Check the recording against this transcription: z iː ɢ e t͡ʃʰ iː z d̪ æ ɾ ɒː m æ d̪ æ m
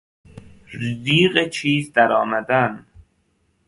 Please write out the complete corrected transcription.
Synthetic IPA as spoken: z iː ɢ e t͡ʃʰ iː z d̪ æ ɾ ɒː m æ d̪ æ n